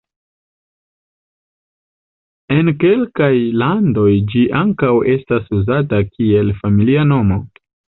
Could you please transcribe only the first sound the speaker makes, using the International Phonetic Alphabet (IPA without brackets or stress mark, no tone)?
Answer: e̞